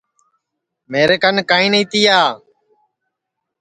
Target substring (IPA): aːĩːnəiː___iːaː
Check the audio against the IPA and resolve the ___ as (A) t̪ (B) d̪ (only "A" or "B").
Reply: A